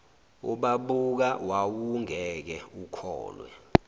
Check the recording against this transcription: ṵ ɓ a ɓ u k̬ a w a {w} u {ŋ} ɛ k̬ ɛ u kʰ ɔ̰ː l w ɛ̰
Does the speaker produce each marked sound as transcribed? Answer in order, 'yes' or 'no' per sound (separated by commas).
yes, yes